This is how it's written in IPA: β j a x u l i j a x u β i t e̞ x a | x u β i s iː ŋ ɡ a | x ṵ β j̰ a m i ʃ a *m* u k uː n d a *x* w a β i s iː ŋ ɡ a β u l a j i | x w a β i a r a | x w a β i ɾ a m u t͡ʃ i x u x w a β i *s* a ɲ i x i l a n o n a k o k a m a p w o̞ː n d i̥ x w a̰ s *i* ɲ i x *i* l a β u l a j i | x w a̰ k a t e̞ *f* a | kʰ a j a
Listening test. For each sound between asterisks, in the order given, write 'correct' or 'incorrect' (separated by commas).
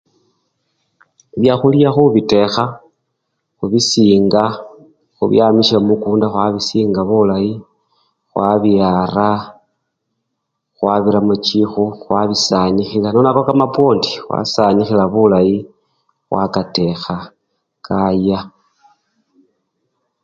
correct, correct, correct, incorrect, correct, incorrect